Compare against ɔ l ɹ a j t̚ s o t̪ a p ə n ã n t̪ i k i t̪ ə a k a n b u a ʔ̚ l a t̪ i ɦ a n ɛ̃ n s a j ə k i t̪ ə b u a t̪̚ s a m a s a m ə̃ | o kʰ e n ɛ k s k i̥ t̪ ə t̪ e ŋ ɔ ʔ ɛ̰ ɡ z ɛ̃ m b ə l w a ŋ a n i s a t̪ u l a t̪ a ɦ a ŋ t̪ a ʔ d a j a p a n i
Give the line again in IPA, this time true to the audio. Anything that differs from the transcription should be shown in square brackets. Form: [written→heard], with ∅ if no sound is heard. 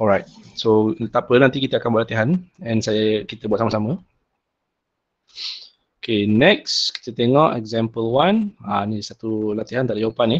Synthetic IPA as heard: ɔ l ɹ a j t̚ s o t̪ a p ə n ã n t̪ i k i t̪ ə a k a n b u a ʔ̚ l a t̪ i ɦ a n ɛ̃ n s a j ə k i t̪ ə b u a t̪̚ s a m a s a m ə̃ | o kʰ e n ɛ k s k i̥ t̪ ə t̪ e ŋ ɔ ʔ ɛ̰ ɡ z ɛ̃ m [b→p] ə l w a [ŋ→n] a n i s a t̪ u l a t̪ [a→i] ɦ a [ŋ→n] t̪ a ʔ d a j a p a n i